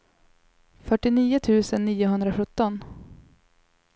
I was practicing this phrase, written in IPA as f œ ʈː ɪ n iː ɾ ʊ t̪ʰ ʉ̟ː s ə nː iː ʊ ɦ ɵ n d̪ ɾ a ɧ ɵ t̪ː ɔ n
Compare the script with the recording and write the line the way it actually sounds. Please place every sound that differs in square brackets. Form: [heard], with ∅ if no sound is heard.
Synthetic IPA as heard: f œ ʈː ɪ n iː [∅] ʊ t̪ʰ ʉ̟ː s ə nː iː ʊ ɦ ɵ n d̪ ɾ a ɧ ɵ t̪ː ɔ n